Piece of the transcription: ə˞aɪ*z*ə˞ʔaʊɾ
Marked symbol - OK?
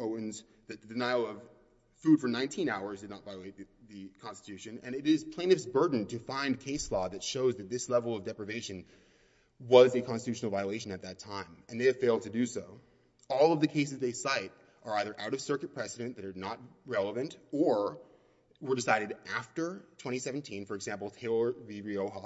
no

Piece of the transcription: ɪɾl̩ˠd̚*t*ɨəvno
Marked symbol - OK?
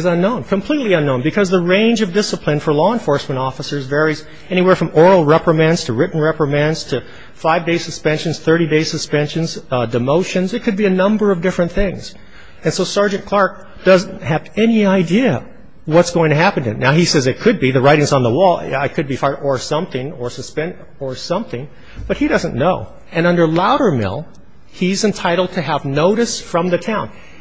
no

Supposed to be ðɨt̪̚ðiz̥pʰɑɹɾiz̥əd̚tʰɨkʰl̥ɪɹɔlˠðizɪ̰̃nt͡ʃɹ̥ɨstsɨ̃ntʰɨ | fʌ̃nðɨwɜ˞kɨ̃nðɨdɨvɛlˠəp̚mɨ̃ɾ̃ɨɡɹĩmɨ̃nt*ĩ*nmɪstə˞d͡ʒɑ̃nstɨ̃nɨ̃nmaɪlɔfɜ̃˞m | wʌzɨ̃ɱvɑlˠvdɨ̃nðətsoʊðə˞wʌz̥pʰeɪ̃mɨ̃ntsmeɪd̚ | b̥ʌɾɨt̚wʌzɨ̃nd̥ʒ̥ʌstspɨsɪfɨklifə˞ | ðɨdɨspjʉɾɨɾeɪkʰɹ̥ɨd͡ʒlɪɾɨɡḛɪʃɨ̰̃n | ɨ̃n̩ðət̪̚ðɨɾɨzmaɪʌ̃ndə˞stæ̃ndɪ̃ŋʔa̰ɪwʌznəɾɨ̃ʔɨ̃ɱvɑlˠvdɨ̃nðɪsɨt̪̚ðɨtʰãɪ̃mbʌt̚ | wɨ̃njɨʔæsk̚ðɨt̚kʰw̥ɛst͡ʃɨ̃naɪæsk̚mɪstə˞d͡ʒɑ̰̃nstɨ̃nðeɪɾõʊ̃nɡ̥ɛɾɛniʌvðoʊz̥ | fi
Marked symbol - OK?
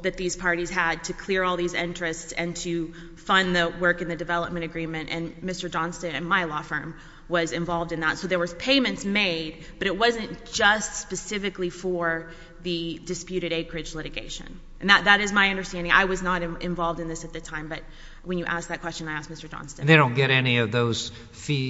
no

